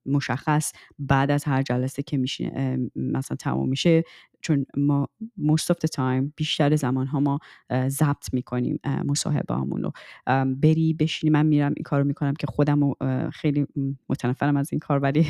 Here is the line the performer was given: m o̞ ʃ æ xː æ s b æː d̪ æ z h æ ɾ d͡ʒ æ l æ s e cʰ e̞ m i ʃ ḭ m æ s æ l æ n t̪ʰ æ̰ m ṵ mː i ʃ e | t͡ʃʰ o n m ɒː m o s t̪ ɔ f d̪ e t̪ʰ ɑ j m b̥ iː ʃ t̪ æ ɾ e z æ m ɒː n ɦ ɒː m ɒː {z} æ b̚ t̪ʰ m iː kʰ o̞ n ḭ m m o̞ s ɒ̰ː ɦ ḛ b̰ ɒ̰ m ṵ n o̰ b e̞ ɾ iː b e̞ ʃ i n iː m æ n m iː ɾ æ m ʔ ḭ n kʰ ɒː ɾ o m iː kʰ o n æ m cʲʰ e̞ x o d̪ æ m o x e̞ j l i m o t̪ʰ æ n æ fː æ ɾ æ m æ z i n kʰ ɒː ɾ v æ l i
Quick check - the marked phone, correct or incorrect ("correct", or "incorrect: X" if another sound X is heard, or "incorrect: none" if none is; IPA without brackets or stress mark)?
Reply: correct